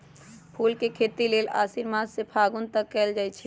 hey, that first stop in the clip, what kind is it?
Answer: aspirated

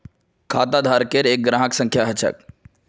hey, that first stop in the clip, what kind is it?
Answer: aspirated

